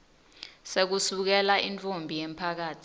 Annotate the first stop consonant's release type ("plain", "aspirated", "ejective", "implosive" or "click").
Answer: plain